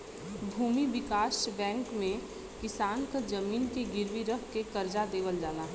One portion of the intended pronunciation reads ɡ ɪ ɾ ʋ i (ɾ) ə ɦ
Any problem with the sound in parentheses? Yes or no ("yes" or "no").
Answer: no